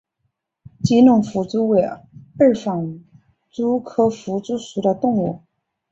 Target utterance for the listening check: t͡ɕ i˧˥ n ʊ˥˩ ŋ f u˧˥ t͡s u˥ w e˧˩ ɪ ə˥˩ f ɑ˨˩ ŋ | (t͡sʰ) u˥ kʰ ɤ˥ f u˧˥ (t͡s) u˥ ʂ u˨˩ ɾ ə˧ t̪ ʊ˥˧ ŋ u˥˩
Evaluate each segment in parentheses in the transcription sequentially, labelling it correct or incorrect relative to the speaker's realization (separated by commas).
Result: incorrect, correct